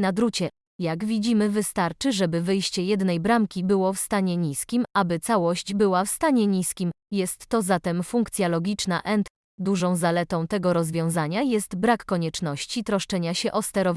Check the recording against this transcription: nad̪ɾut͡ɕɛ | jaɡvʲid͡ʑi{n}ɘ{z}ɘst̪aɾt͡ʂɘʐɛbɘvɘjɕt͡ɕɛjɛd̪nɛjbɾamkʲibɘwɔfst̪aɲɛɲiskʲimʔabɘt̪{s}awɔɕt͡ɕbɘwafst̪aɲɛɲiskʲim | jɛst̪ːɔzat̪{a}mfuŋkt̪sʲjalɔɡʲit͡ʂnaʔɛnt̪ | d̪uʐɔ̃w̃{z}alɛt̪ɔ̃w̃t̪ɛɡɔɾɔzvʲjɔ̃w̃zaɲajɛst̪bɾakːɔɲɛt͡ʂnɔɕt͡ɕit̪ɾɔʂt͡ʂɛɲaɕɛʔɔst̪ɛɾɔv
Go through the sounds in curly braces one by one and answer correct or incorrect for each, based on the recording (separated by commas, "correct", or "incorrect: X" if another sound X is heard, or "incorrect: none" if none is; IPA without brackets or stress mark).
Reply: incorrect: m, incorrect: v, correct, incorrect: ɛ, correct